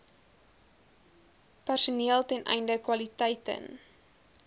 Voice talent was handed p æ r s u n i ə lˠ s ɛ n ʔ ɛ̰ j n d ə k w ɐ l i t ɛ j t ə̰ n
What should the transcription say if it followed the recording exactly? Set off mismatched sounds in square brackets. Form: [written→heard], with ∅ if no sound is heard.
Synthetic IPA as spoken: p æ r s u n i ə lˠ [s→t] ɛ n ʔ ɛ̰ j n d ə k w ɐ l i t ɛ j t ə̰ n